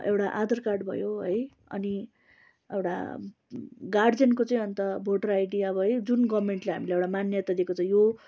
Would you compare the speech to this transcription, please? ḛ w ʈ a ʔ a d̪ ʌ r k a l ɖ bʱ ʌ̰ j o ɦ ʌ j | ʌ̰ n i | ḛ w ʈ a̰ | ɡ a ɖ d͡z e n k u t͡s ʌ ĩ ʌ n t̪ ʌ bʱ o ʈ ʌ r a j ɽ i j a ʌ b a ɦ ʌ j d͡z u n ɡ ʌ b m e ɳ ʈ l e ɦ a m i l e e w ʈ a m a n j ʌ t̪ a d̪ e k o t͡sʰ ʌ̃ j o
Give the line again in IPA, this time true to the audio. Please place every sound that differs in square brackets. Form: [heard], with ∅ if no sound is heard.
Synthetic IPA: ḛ w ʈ a ʔ a d̪ ʌ r k a [r] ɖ bʱ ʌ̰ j o ɦ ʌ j | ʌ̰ n i | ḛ w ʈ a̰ | ɡ a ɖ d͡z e n k [o] t͡s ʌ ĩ ʌ n t̪ ʌ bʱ o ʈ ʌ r a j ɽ i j a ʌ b [ʌ] ɦ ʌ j d͡z u n ɡ ʌ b m e ɳ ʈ l e ɦ a m i l e e w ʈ a m a n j ʌ t̪ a d̪ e k o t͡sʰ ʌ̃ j o